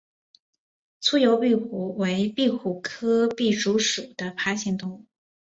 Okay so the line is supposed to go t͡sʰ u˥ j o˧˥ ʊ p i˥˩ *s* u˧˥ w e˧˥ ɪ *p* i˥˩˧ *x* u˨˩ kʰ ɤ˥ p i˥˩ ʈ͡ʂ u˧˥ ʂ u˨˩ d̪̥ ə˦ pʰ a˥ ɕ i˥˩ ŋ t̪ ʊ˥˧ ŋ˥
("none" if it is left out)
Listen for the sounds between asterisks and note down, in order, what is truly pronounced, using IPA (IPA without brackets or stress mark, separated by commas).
x, p, x